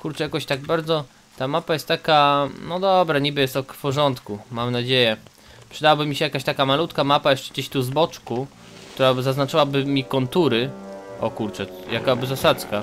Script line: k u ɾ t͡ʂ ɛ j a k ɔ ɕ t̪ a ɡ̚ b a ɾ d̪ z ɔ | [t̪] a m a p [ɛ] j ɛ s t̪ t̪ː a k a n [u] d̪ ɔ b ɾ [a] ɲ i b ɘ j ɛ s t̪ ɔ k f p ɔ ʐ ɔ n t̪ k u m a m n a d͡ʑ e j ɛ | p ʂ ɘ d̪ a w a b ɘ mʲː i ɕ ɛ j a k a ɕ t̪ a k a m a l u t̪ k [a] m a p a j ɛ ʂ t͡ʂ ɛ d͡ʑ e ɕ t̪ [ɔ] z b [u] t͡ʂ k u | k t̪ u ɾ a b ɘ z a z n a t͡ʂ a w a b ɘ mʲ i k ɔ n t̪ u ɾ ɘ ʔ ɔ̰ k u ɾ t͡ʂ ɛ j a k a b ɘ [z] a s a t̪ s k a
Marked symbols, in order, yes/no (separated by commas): yes, no, no, yes, yes, no, no, yes